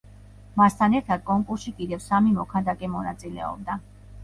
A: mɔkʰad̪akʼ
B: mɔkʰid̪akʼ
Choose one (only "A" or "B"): A